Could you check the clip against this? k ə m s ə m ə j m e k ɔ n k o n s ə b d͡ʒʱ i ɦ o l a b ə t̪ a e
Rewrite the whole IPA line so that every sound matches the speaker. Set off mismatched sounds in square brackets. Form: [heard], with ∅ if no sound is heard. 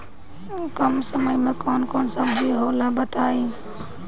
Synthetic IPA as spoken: k ə m s ə m ə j m e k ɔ n k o n s ə b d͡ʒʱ i ɦ o l a b ə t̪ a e